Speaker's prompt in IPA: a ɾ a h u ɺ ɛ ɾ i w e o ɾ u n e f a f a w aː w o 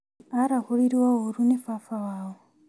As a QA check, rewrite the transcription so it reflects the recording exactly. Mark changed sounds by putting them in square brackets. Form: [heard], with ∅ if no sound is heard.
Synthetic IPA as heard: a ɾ a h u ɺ [i] ɾ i w [a] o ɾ u n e f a f a w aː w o